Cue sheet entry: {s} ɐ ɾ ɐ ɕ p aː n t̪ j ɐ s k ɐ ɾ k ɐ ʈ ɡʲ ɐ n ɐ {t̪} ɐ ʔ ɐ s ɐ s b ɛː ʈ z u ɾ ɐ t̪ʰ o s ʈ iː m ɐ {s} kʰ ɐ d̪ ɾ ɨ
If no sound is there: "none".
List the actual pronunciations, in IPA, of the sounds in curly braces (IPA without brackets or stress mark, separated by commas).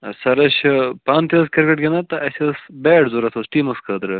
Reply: s, t̪, s